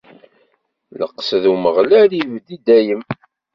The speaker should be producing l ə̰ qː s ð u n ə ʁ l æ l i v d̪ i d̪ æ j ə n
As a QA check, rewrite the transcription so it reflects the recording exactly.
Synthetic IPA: l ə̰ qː s ð u m ə ʁ l æ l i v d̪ i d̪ æ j ə m